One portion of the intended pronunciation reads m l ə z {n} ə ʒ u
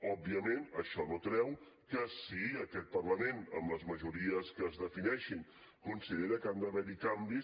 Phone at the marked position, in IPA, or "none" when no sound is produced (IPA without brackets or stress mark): m